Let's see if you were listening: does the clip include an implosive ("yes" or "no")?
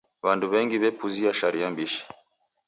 no